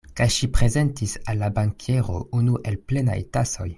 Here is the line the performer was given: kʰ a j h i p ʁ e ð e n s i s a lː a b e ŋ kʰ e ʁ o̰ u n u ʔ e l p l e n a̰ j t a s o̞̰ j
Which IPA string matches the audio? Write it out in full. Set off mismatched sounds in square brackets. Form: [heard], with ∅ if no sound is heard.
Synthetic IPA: [k] a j [ʃ] i p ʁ e [z] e n [t] i s a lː a b [a] ŋ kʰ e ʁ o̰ u n u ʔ e l p l e n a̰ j t a s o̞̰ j